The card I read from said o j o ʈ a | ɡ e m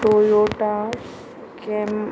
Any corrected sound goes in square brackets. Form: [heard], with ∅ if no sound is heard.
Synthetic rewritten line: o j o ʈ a | [k] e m

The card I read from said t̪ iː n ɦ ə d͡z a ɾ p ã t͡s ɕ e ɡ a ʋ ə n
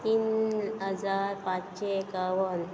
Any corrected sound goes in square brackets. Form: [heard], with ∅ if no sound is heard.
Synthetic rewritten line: t̪ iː n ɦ ə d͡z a ɾ p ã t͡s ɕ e [k] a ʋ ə n

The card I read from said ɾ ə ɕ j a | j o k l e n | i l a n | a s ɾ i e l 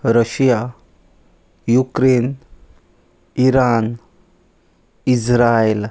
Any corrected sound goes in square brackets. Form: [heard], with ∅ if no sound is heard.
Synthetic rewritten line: ɾ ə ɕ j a | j [u] k [ɾ] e n | i [ɾ] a n | [i] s ɾ [a] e l

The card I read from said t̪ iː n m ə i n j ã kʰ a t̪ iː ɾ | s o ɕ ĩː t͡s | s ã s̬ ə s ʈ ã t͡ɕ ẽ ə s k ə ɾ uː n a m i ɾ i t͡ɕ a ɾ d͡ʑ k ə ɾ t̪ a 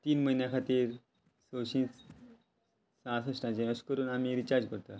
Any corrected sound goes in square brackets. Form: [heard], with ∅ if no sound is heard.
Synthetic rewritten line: t̪ iː n m ə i n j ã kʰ a t̪ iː ɾ | s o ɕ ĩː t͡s | s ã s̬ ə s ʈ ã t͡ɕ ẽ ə s k ə ɾ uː n a m i ɾ i t͡ɕ a ɾ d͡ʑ k ə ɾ t̪ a

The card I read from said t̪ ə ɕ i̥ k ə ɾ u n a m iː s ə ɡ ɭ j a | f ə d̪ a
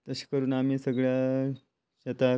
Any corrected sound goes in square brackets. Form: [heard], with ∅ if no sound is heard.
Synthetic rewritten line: t̪ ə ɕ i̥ k ə ɾ [uː] n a m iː s ə ɡ ɭ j a | [ɕ] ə [t̪] a

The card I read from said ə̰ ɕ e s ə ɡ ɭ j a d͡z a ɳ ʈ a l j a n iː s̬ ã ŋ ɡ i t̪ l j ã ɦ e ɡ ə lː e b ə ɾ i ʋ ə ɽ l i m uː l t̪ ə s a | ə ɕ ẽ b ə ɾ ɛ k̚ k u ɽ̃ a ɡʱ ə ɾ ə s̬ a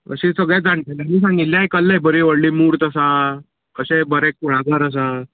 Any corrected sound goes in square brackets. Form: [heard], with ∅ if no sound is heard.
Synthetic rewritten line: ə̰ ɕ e s ə ɡ ɭ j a d͡z a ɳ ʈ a l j a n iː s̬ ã ŋ ɡ i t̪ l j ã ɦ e [k] ə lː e b ə ɾ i ʋ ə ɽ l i m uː [ɾ] t̪ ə s a | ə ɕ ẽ b ə ɾ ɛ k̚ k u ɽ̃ a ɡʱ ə ɾ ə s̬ a

